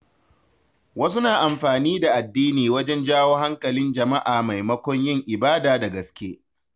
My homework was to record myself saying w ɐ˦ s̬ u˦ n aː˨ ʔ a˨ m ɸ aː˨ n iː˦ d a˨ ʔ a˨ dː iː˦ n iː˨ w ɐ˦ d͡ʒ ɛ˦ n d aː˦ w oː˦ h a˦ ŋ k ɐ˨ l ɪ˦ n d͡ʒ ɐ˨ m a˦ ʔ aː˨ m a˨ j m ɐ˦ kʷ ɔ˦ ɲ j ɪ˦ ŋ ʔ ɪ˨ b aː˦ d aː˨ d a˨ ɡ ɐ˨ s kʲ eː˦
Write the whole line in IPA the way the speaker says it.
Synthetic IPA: w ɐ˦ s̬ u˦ n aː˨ ʔ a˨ m ɸ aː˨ n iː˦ d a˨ ʔ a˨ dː iː˦ n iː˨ w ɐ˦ d͡ʒ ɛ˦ n d͡ʒ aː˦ w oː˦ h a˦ ŋ k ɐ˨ l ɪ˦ n d͡ʒ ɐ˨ m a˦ ʔ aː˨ m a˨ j m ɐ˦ kʷ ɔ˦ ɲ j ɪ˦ ŋ ʔ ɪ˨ b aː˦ d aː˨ d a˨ ɡ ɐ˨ s kʲ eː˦